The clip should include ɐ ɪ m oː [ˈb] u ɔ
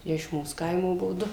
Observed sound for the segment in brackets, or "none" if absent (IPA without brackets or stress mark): b